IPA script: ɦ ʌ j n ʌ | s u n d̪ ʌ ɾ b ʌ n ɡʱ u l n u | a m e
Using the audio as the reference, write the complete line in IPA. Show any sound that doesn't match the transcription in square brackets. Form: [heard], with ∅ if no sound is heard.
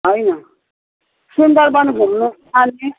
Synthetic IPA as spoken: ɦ ʌ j n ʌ | s u n d̪ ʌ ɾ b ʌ n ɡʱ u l n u | a [n] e